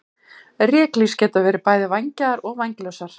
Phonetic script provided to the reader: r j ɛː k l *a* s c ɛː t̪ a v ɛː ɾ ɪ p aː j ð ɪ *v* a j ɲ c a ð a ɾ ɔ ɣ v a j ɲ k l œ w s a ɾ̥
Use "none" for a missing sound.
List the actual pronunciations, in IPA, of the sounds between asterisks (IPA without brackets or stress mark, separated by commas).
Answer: i, v